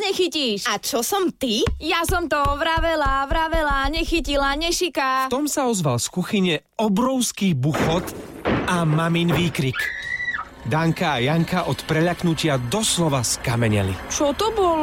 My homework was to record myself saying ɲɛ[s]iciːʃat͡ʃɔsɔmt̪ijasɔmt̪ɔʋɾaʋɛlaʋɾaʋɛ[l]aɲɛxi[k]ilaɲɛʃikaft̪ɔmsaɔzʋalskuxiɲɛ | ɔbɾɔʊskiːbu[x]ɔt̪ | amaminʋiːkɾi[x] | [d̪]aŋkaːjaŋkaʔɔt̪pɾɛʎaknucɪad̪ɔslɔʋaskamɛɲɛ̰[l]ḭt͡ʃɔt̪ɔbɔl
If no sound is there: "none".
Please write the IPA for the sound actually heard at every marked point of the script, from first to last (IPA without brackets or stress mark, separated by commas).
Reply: x, l, c, x, k, d̪, l